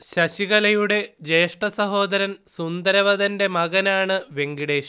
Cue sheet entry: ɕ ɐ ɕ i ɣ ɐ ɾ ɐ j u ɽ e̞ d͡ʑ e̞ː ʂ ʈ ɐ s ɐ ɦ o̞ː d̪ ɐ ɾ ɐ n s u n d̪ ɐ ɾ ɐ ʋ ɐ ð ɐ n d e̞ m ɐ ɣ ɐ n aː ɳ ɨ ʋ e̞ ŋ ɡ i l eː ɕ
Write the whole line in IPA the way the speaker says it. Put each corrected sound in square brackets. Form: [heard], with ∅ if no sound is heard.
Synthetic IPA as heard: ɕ ɐ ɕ i ɣ ɐ [l] ɐ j u ɽ e̞ d͡ʑ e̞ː ʂ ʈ ɐ s ɐ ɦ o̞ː d̪ ɐ ɾ ɐ n s u n d̪ ɐ ɾ ɐ ʋ ɐ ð ɐ n d e̞ m ɐ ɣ ɐ n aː ɳ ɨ ʋ e̞ ŋ ɡ i [ɽ] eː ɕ